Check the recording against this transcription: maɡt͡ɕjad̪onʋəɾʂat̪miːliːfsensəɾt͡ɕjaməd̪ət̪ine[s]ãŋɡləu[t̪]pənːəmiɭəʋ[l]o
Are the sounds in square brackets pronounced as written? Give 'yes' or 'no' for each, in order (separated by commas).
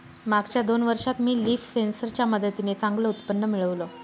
no, yes, yes